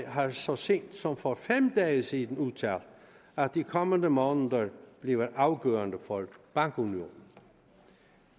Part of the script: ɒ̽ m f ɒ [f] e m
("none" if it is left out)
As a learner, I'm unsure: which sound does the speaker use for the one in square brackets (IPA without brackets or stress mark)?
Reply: f